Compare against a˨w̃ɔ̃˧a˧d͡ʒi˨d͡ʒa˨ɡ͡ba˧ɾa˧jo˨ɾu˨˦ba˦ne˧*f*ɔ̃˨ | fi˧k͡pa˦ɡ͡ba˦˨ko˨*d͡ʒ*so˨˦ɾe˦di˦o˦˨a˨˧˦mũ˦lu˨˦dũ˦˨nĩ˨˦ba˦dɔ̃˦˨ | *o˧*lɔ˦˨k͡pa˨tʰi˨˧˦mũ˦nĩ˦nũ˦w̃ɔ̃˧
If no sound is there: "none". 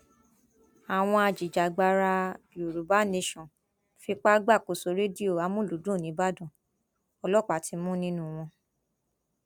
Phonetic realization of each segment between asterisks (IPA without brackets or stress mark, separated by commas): ʃ, none, ɔ˧